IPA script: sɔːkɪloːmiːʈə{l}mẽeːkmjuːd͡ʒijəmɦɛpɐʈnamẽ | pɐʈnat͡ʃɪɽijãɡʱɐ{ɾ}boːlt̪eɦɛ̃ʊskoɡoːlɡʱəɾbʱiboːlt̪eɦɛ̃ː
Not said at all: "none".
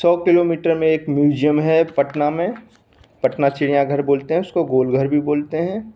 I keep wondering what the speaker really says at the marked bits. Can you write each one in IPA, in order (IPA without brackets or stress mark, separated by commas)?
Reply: ɾ, ɾ